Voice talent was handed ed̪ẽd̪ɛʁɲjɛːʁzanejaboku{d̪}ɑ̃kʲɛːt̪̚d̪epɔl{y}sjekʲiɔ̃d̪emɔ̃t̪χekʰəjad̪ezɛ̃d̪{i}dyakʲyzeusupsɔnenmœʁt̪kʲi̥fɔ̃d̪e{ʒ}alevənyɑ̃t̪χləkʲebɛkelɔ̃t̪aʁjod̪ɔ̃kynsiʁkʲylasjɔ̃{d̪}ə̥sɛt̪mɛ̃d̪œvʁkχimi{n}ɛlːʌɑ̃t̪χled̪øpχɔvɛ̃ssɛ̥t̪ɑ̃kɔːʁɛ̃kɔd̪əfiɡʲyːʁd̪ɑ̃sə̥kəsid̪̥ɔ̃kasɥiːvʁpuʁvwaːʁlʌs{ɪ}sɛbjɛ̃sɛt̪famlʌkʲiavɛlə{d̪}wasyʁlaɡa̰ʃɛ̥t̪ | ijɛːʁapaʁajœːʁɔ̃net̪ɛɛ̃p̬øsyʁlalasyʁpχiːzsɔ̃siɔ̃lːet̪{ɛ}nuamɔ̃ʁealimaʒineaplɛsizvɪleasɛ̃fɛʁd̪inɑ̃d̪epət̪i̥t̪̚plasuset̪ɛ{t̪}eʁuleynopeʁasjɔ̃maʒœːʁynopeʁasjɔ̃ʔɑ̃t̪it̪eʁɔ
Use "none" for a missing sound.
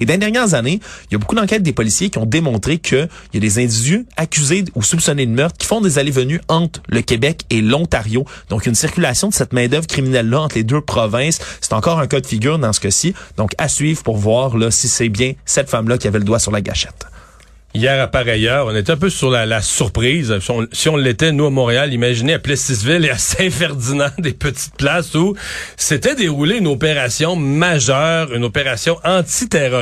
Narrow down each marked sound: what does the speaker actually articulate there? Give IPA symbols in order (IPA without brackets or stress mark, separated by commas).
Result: d̪, i, i, z, d̪, n, i, d̪, ɛ, d̪